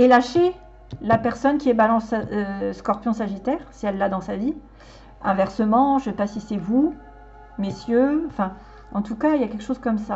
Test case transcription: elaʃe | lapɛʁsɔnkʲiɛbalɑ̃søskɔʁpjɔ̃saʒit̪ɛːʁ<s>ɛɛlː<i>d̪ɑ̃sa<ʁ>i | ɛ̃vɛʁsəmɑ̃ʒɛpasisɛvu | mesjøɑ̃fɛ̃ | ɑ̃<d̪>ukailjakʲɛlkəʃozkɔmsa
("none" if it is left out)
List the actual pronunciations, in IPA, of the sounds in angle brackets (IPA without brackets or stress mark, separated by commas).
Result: s, a, v, t̪